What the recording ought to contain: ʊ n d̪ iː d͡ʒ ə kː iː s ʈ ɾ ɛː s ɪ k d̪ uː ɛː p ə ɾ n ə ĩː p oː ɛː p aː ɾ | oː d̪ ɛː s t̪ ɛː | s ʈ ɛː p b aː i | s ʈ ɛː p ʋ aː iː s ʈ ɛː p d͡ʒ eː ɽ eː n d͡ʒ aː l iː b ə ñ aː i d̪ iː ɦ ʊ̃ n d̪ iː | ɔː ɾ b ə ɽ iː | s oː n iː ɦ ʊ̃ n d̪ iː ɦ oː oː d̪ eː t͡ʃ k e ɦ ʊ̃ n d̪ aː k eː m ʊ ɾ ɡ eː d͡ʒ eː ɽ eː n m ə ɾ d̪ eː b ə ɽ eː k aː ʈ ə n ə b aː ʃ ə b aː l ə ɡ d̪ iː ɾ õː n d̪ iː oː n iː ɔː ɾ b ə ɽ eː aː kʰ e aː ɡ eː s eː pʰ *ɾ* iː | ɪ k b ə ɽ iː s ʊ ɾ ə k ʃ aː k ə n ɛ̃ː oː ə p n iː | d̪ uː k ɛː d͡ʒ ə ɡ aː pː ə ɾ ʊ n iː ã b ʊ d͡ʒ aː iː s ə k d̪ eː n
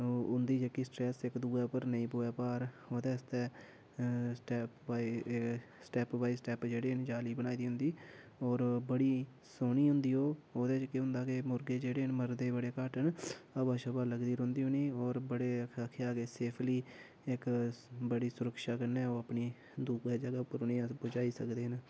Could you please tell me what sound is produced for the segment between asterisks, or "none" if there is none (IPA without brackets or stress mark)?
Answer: l